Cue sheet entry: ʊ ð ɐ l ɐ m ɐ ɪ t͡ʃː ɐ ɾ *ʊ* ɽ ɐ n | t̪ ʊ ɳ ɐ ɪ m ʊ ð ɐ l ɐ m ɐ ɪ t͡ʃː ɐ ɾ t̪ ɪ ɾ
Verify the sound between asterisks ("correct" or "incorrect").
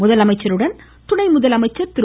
incorrect